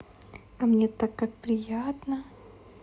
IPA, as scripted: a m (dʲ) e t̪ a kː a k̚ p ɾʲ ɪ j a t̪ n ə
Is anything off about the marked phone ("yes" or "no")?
yes